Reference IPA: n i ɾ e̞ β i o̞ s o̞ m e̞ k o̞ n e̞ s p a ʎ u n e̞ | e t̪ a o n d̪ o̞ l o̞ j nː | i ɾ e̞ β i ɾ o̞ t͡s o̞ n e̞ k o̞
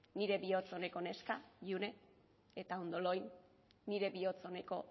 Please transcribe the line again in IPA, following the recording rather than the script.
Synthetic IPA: n i ɾ e̞ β i o̞ t͡s o̞ n e̞ k o̞ n e̞ s k a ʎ u n e̞ | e t̪ a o n d̪ o̞ l o̞ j nː | i ɾ e̞ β i o̞ t͡s o̞ n e̞ k o̞